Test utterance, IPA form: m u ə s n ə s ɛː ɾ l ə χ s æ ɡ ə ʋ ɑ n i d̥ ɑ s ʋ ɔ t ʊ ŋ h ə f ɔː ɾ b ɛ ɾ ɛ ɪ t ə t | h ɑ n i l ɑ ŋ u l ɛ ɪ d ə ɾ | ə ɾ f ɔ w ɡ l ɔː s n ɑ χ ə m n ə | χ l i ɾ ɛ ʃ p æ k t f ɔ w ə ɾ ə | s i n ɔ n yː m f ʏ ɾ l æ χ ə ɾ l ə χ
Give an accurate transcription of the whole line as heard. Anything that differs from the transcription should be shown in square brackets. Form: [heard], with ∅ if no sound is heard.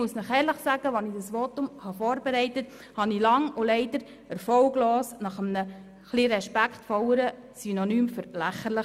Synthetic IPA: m u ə s n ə [χ] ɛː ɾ l ə χ s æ ɡ ə ʋ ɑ n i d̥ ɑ s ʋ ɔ t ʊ [m] h [ɑ] f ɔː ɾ b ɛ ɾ ɛ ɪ t ə t | h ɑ n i l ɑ ŋ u l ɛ ɪ d ə ɾ | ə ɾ f ɔ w ɡ l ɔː s n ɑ χ ə m n ə | χ l i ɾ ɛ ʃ p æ k t f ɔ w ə ɾ ə | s [y] n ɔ n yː m f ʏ ɾ l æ χ ə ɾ l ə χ

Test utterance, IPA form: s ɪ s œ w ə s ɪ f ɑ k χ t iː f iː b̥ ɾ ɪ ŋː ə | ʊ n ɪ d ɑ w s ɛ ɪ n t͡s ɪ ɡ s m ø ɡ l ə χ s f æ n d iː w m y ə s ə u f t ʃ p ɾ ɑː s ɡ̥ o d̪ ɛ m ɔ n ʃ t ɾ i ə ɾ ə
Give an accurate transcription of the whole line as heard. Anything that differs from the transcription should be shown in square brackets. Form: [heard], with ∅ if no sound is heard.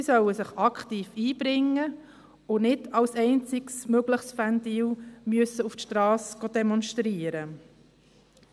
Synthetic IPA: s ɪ s œ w ə s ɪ [χ] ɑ k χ t iː f iː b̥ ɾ ɪ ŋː ə | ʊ n ɪ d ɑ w s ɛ ɪ n t͡s ɪ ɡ s m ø ɡ l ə χ s f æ n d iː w m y ə s ə u f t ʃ [t] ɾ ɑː s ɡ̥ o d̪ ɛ m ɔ n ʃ t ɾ i ə ɾ ə

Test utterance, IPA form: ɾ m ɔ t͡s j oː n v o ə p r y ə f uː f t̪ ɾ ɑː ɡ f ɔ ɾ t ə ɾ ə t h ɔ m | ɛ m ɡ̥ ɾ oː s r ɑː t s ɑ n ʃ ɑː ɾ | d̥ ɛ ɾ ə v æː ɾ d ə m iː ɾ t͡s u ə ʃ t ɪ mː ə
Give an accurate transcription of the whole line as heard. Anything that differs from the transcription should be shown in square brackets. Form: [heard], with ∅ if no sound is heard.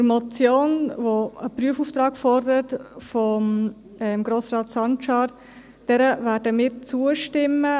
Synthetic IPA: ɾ m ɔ t͡s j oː n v o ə p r y ə f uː f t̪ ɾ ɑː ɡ f ɔ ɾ [d] ə ɾ ə t [f] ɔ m | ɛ m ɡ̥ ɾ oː s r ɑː t s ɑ n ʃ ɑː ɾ | d̥ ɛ ɾ ə v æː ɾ d ə m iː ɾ t͡s u ə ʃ t ɪ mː ə

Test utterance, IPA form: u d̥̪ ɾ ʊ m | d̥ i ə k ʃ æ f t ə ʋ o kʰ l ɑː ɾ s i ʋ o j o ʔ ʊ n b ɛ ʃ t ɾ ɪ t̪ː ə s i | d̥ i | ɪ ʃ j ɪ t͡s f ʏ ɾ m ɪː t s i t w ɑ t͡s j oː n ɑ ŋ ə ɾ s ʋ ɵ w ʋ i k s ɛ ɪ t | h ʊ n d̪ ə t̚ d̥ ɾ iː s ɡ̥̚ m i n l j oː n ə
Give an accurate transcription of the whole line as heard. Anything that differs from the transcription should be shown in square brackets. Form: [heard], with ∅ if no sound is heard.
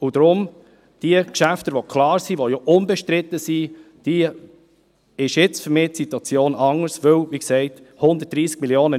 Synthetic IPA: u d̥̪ ɾ ʊ m | d̥ i ə k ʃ æ f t ə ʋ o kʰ l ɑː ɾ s i ʋ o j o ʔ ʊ n b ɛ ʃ t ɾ ɪ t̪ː ə s i | d̥ i | ɪ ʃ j ɪ t͡s f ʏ ɾ m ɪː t s i t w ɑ t͡s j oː n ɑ ŋ ə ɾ s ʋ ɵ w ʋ i k s ɛ ɪ t | h ʊ n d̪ ə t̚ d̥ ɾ iː s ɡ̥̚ m i [∅] l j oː n ə

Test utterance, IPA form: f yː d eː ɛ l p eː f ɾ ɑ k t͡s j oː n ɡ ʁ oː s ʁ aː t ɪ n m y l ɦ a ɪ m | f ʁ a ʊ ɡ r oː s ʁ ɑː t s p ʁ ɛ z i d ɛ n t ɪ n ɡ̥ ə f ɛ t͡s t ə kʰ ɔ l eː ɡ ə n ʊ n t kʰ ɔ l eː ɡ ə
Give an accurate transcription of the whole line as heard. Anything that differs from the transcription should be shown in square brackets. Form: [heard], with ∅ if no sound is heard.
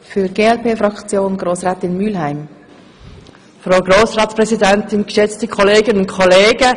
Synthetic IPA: f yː [ɡ] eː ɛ l p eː f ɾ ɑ k t͡s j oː n ɡ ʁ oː s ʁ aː t ɪ n m y l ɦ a ɪ m | f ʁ a ʊ ɡ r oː s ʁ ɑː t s p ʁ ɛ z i d ɛ n t ɪ n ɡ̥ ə [ʃ] ɛ t͡s t ə kʰ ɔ l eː ɡ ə n ʊ n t kʰ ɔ l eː ɡ ə

